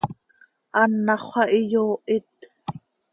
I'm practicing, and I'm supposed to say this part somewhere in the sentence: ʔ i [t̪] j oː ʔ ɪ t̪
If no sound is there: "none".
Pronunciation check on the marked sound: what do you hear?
none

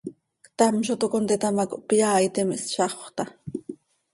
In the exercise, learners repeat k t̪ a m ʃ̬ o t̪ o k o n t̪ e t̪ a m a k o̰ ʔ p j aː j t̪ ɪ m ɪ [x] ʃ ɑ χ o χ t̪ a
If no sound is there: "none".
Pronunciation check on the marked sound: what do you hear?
s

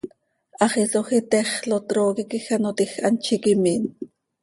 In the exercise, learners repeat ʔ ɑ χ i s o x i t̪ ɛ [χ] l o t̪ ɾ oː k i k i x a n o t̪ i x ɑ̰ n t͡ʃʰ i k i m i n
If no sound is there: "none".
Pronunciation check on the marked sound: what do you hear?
χ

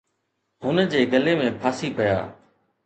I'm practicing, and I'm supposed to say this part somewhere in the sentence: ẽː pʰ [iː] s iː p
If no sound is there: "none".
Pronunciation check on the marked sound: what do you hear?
aː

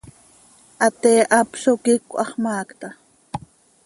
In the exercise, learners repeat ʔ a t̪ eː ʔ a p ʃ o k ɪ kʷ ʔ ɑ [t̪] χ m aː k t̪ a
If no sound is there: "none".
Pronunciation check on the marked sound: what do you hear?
none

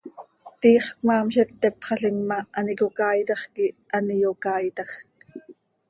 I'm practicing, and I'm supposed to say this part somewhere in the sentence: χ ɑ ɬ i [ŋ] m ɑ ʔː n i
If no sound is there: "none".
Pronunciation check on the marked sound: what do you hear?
ŋ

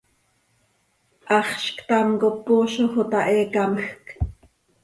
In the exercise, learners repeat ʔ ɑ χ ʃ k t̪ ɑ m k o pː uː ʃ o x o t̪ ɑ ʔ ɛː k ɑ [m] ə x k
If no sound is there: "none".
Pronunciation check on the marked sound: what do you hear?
m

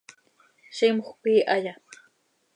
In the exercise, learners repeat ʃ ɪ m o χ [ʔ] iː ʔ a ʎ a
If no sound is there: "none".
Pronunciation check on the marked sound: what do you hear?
p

